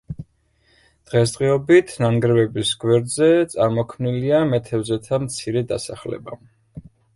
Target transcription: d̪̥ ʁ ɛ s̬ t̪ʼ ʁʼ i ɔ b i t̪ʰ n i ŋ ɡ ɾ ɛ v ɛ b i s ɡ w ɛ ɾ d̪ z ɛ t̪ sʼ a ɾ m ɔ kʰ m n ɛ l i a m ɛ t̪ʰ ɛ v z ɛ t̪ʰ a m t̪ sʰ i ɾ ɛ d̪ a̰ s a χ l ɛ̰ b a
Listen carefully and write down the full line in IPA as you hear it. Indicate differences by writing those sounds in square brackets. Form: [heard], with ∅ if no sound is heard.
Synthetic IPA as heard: d̪̥ ʁ ɛ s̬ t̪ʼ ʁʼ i ɔ b i t̪ʰ n [a] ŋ ɡ ɾ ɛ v ɛ b i s ɡ w ɛ ɾ d̪ z ɛ t̪ sʼ a ɾ m ɔ kʰ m n [i] l i a m ɛ t̪ʰ ɛ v z ɛ t̪ʰ a m t̪ sʰ i ɾ ɛ d̪ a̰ s a χ l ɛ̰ b a